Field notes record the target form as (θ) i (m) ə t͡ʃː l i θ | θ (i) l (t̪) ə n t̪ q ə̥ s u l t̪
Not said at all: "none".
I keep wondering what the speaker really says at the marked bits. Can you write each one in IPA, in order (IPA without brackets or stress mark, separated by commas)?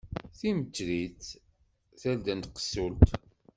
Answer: θ, m, æ, d̪